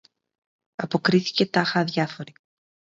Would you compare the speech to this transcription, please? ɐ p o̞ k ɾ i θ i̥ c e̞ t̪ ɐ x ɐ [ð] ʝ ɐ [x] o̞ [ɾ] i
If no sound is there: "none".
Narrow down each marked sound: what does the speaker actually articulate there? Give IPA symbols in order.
ð, f, ɾ

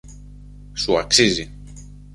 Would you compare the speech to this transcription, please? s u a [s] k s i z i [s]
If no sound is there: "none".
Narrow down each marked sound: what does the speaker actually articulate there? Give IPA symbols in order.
none, none

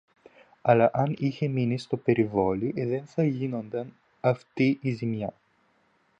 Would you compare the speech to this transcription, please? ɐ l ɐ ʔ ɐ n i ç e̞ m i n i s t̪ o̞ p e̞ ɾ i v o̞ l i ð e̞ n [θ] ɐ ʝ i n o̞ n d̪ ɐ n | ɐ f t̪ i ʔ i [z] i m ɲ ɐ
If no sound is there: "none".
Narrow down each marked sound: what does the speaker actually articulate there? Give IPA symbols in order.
θ, z

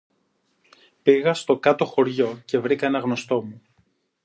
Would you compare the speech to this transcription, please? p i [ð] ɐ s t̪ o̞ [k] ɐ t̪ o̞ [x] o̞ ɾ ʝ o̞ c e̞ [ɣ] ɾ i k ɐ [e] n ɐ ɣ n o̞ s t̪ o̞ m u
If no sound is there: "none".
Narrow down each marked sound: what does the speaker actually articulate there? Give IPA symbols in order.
ɣ, k, x, v, e

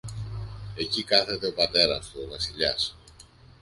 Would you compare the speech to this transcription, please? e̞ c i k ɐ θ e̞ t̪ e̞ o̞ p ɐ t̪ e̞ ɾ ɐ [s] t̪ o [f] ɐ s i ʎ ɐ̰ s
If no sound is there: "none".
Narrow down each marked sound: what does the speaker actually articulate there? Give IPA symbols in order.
s, v

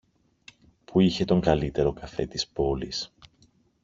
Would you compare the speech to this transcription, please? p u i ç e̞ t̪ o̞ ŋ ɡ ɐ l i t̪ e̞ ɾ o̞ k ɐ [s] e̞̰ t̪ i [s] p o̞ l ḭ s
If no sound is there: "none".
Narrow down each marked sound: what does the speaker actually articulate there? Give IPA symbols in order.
f, s

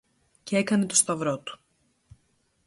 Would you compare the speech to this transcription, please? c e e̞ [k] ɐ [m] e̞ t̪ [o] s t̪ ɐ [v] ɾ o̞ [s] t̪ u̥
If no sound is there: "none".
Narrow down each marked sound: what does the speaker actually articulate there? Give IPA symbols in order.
k, n, o, v, none

